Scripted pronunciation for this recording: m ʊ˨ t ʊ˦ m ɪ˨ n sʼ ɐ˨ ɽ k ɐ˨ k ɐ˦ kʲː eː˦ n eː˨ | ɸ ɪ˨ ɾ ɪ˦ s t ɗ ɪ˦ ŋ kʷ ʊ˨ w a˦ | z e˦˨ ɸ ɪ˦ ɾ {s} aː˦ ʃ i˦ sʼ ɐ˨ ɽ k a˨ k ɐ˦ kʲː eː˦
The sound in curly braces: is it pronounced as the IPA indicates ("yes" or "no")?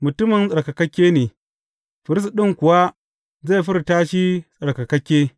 no